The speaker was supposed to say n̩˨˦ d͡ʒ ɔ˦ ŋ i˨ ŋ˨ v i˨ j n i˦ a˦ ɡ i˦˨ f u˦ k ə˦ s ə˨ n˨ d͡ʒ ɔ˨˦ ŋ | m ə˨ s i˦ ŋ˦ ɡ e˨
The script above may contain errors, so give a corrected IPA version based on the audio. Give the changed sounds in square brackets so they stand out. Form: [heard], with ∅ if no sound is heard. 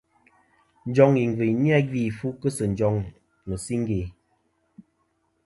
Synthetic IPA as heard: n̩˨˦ d͡ʒ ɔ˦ ŋ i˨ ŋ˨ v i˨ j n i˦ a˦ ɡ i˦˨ f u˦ k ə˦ s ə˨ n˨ d͡ʒ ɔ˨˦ ŋ | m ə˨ s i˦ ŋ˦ ɡ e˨